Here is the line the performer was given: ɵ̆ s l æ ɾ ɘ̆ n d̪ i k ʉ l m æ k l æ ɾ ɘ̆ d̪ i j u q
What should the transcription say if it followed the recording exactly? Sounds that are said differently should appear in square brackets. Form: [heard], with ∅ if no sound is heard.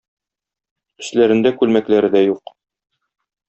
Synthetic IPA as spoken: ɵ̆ s l æ ɾ ɘ̆ n d̪ [æ] k ʉ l m æ k l æ ɾ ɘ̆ d̪ [æ] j u q